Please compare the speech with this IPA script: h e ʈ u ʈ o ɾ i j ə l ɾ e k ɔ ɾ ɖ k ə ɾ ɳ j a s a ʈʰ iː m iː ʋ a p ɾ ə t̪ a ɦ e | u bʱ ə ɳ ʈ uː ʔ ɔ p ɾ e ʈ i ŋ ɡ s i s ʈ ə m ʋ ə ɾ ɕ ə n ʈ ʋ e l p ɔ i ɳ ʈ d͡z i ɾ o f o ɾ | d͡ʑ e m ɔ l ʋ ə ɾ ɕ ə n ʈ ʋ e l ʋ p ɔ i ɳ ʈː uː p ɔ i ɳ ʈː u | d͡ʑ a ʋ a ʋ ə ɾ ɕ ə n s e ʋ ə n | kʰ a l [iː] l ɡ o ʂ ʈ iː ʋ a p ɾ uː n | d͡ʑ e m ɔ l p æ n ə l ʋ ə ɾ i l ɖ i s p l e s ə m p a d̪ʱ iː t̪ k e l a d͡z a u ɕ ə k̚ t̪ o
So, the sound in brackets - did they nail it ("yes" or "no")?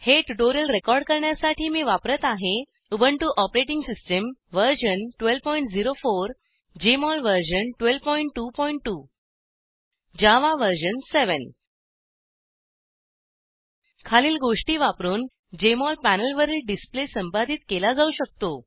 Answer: yes